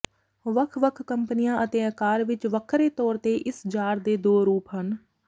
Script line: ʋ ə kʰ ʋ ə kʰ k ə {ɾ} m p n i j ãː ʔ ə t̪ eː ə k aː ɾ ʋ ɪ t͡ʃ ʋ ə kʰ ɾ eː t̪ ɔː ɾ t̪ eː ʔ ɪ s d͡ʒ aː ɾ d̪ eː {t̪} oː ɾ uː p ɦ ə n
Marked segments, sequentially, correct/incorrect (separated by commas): incorrect, incorrect